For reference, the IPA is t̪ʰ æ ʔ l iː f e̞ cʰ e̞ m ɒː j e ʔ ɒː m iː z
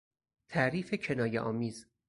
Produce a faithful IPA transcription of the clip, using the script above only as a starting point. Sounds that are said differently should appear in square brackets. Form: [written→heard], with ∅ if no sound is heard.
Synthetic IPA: t̪ʰ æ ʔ [l→ɾ] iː f e̞ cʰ e̞ [m→n] ɒː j e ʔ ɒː m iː z